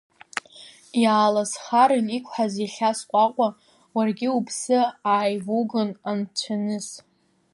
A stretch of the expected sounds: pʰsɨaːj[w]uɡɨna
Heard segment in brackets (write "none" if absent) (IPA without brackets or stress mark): v